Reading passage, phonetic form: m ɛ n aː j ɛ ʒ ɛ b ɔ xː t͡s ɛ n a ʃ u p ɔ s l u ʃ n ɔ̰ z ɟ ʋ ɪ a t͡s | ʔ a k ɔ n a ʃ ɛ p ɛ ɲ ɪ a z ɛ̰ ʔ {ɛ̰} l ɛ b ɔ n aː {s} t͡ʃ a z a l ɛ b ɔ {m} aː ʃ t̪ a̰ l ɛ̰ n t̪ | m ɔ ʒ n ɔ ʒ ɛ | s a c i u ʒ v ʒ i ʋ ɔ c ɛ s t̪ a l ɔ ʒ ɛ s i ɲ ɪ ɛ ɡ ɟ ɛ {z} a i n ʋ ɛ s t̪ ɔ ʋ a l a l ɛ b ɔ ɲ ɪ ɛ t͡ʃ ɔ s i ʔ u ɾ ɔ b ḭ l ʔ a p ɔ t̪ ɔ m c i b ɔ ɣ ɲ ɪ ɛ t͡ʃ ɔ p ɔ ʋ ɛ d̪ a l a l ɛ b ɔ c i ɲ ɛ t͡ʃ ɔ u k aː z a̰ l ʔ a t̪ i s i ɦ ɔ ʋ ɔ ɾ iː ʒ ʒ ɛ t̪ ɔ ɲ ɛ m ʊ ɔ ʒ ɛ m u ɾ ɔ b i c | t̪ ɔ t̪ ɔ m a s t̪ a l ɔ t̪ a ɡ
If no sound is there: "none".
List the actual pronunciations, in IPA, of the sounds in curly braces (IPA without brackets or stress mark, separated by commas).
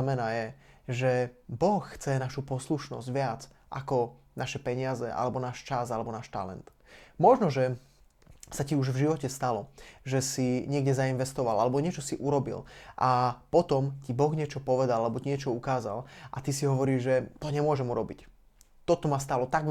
a̰, ʃ, n, z